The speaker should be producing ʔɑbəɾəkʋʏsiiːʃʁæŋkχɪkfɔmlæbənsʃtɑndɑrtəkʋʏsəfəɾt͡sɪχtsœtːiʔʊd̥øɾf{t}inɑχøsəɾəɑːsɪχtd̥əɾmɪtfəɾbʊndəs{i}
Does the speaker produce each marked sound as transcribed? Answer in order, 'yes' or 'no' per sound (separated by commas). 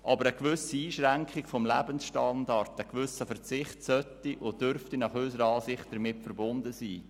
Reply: yes, no